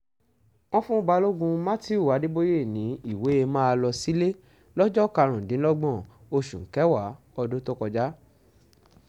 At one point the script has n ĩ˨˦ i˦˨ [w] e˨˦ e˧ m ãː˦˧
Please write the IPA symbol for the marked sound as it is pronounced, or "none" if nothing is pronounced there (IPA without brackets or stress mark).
w